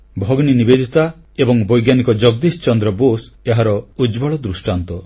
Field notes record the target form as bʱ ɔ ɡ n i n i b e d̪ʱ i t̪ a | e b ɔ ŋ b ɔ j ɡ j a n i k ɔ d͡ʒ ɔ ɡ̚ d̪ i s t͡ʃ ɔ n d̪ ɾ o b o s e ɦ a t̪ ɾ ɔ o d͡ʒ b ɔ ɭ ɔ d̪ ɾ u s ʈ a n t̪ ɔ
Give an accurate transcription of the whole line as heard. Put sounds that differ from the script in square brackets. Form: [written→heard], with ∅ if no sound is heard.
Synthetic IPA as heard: bʱ ɔ ɡ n i n i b e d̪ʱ i t̪ a | e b ɔ ŋ b ɔ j ɡ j a n i k ɔ d͡ʒ ɔ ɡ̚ d̪ i s t͡ʃ ɔ n d̪ ɾ [o→ɔ] b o s e ɦ a [t̪→∅] ɾ ɔ [o→u] d͡ʒ b ɔ ɭ ɔ d̪ ɾ u s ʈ a n t̪ ɔ

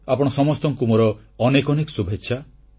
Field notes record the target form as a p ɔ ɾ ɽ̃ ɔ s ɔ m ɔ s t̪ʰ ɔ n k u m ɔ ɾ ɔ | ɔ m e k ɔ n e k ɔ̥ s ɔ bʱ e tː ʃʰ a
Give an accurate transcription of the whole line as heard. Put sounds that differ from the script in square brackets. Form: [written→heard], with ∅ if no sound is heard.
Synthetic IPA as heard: a p ɔ [ɾ→∅] ɽ̃ ɔ s ɔ m ɔ s [t̪ʰ→t̪] ɔ [n→ŋ] k u m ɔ ɾ ɔ | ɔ [m→n] e k ɔ n e k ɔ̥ s [ɔ→u] bʱ e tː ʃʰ a

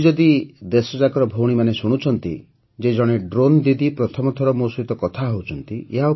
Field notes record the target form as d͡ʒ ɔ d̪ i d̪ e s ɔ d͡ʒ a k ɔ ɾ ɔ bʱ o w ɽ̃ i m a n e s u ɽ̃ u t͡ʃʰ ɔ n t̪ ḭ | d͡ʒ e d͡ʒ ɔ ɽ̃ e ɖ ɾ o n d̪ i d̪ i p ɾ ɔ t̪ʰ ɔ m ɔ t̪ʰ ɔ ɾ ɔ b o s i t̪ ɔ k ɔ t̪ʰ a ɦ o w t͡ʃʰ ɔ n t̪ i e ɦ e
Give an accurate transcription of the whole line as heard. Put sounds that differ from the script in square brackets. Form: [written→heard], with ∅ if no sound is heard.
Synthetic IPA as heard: d͡ʒ ɔ d̪ i d̪ e s ɔ d͡ʒ a k ɔ ɾ ɔ bʱ o w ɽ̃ i m a n e s u ɽ̃ u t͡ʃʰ ɔ n t̪ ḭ | d͡ʒ e d͡ʒ ɔ ɽ̃ e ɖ ɾ o n d̪ i d̪ i p ɾ ɔ t̪ʰ ɔ m ɔ t̪ʰ ɔ ɾ ɔ [b→m] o s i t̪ ɔ k ɔ t̪ʰ a ɦ o w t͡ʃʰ ɔ n t̪ i e ɦ [e→a]

